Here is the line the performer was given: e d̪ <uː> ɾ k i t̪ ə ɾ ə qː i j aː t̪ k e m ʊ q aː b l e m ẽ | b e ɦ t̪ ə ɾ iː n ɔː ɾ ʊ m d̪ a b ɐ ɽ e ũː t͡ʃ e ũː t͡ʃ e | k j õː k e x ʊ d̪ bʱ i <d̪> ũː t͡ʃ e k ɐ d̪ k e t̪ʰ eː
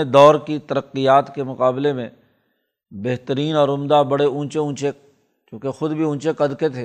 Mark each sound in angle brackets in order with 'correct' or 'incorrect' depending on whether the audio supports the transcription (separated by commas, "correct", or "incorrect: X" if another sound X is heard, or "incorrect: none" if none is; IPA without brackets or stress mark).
incorrect: ɔː, incorrect: none